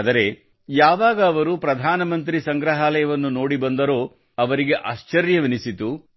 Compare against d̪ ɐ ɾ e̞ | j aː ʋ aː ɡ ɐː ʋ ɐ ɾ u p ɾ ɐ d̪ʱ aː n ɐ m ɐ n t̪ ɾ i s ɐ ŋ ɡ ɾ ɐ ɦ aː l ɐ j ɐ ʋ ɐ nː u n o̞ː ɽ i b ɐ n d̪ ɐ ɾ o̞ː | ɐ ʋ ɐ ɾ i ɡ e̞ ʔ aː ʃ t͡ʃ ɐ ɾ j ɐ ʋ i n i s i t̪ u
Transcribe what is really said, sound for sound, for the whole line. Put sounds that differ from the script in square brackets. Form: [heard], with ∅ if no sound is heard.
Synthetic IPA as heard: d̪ ɐ ɾ e̞ | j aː ʋ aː ɡ ɐː ʋ ɐ ɾ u p ɾ ɐ d̪ʱ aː n ɐ m ɐ n t̪ ɾ i s ɐ ŋ ɡ ɾ ɐ ɦ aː l ɐ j ɐ ʋ ɐ nː u n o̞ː ɽ i b ɐ n d̪ ɐ ɾ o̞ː | ɐ ʋ ɐ ɾ i ɡ e̞ ʔ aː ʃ t͡ʃ ɐ ɾ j ɐ ʋ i n i s i t̪ u